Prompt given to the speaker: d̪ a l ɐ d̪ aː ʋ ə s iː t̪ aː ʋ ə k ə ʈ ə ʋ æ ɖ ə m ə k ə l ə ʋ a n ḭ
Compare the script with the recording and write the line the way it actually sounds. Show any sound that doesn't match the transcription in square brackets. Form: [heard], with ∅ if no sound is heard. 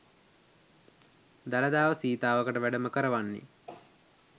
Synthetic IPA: d̪ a l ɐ d̪ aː ʋ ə s iː t̪ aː ʋ ə k ə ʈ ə ʋ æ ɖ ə m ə k ə [ɾ] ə ʋ a [nː] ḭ

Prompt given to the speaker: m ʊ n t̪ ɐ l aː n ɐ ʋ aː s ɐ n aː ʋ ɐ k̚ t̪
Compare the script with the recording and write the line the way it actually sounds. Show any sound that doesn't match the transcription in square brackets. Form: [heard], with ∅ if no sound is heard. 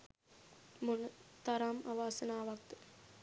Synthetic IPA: m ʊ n t̪ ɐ [ɾ] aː [m] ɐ ʋ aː s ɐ n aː ʋ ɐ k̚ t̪

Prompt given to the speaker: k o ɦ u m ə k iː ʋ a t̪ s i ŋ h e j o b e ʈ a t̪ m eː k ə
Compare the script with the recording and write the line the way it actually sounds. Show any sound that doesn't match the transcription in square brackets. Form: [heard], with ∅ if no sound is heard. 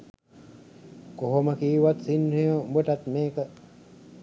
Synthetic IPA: k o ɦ [o] m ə k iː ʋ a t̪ s i [n] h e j o b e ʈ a t̪ m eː k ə

